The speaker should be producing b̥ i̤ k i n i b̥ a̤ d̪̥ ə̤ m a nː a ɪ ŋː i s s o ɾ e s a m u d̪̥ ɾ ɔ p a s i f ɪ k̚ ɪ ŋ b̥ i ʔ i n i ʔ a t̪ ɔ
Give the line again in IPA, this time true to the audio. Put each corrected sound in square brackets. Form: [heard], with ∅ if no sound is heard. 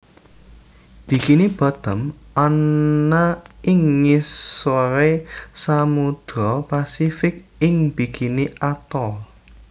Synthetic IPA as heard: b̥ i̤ k i n i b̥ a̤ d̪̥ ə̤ m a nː a ɪ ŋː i s s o ɾ e s a m u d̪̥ ɾ ɔ p a s i f ɪ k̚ ɪ ŋ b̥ i [k] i n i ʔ a t̪ ɔ